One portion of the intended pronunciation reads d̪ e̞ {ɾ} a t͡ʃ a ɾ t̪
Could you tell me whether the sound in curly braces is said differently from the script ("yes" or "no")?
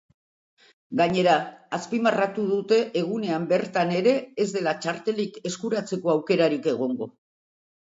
yes